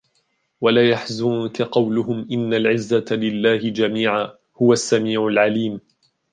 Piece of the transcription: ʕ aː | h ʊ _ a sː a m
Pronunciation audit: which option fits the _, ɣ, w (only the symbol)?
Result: w